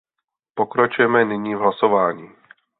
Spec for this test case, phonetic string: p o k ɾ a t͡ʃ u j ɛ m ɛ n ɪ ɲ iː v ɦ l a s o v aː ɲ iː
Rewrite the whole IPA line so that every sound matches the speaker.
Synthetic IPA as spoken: p o k ɾ a t͡ʃ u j ɛ m ɛ n ɪ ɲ iː v ɦ l a s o v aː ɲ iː